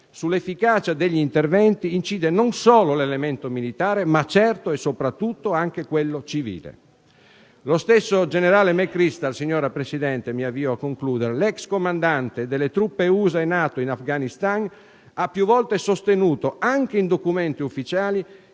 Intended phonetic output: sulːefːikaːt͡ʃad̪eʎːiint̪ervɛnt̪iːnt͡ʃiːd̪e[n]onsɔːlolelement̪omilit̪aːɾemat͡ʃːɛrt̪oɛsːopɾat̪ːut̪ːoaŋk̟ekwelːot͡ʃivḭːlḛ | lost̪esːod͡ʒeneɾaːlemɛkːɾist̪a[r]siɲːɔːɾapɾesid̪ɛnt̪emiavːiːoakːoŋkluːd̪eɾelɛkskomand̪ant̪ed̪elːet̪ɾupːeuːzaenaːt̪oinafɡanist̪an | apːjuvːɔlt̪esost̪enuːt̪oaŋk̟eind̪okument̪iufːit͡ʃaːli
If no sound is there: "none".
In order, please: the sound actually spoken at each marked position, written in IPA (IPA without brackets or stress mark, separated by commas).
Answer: n, l